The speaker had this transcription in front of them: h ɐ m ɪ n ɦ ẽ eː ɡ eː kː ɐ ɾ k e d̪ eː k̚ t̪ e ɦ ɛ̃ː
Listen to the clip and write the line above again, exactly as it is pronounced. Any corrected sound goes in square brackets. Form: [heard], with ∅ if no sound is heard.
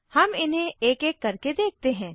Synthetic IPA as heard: h ɐ m ɪ n ɦ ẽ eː [k] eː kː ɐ ɾ k e d̪ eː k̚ t̪ e ɦ ɛ̃ː